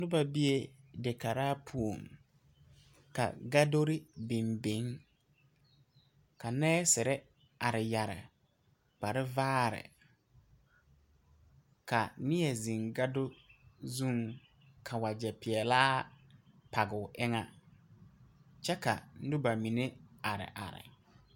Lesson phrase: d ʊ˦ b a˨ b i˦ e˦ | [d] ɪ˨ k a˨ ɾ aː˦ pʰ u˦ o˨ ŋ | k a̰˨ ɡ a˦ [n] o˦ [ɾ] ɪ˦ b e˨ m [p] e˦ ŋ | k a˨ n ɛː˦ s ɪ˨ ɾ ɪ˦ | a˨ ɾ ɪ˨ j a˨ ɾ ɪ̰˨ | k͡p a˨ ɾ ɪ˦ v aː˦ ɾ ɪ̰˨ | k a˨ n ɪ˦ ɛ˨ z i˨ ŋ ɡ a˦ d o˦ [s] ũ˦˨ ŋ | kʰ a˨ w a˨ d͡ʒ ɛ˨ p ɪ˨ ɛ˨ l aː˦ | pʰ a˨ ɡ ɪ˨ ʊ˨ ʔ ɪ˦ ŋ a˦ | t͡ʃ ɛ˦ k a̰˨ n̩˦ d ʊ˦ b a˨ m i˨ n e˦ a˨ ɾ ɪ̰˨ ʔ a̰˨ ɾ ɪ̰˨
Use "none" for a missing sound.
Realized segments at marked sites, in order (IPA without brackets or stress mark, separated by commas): d, d, ɾ, b, z